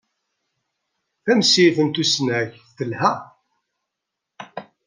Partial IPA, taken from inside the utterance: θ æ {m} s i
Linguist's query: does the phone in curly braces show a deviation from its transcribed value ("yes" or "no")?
no